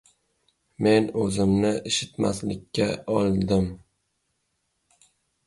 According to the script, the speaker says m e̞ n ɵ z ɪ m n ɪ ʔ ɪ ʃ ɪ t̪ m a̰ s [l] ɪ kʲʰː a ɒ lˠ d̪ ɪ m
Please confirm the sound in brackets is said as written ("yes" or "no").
yes